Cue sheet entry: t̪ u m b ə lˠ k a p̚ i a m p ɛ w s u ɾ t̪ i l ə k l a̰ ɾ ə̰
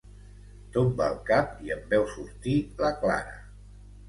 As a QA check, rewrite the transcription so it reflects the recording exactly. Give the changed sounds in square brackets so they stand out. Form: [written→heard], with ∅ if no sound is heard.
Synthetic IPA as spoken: t̪ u m b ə lˠ k a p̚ i [a→ə] m [p→b] ɛ w s u ɾ t̪ i l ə k l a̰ ɾ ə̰